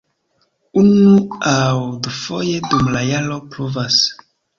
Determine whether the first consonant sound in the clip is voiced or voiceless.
voiced